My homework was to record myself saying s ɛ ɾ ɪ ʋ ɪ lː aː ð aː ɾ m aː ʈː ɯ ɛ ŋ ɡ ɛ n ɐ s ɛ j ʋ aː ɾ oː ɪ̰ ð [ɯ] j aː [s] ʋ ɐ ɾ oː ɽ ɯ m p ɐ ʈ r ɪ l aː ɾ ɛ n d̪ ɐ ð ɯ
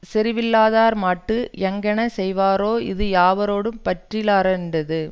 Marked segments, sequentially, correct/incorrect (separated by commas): correct, incorrect